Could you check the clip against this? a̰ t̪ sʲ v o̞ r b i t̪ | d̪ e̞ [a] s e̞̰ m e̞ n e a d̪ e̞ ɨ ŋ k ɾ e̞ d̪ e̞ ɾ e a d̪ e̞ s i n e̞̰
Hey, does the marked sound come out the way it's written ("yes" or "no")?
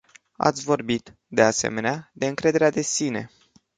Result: yes